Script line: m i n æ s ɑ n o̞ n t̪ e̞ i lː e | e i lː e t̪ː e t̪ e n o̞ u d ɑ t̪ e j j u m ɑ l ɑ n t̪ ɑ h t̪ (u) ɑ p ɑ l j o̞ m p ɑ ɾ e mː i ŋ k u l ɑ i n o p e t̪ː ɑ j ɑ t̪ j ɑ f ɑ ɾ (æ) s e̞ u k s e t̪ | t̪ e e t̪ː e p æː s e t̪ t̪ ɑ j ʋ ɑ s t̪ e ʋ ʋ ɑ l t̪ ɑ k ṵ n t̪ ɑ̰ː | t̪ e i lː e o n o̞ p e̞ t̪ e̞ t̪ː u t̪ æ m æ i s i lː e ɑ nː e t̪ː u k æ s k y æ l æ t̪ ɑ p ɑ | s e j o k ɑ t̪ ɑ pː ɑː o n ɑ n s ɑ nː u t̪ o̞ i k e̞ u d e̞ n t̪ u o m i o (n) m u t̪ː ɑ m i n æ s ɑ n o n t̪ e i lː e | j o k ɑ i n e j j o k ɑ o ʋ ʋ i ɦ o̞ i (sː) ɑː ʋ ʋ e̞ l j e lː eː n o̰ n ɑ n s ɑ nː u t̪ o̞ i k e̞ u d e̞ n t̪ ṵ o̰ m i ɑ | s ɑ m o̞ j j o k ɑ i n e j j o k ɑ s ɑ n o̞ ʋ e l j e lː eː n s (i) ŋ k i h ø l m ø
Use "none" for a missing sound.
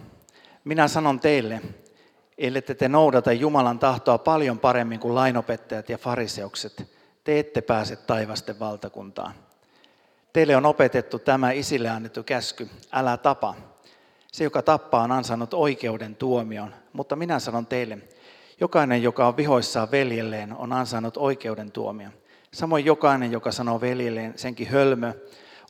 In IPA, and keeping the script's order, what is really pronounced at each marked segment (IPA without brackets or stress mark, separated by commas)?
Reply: o, i, n, sː, e